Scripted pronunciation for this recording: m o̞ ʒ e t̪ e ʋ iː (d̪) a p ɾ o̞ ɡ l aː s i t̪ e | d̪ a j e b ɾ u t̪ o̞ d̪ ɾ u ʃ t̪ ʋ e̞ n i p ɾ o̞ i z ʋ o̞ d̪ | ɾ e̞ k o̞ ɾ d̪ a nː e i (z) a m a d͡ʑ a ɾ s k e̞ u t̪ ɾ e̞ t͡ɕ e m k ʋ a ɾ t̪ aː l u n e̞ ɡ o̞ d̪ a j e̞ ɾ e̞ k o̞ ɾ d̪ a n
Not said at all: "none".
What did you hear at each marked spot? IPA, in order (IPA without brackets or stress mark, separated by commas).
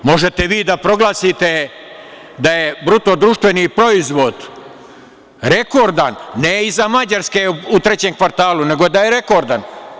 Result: d̪, z